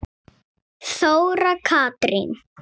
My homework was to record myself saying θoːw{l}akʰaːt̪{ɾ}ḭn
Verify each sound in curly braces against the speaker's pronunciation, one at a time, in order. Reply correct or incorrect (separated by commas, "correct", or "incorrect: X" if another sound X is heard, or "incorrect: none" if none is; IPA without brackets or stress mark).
incorrect: ɾ, correct